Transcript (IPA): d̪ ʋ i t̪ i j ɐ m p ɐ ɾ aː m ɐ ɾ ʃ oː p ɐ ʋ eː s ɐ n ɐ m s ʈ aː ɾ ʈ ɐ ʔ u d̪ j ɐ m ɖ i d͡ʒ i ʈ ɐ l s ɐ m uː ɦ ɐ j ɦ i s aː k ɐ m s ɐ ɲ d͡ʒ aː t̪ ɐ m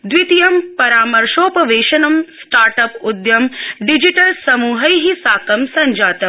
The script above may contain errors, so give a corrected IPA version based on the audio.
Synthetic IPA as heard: d̪ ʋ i t̪ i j ɐ m p ɐ ɾ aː m ɐ ɾ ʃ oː p ɐ ʋ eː ʃ ɐ n ɐ m s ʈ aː ɾ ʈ ɐ p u d̪ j ɐ m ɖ i d͡ʒ i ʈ ɐ l s ɐ m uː ɦ ɐ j ɦ i s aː k ɐ m s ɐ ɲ d͡ʒ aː t̪ ɐ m